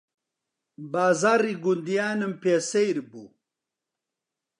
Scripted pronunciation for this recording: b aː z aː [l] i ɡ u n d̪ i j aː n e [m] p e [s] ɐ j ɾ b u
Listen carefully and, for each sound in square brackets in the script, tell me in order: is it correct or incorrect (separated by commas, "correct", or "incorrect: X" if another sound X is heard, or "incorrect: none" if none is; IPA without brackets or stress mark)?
incorrect: ɾ, correct, correct